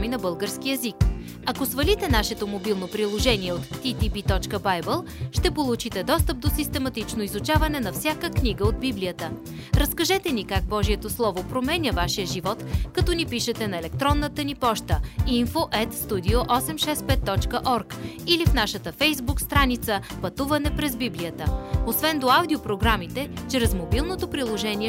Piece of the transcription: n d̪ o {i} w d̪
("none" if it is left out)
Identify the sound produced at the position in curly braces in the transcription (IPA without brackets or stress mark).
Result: a